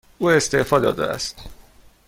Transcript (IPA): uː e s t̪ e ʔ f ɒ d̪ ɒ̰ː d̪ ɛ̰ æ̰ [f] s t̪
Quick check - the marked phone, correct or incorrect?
incorrect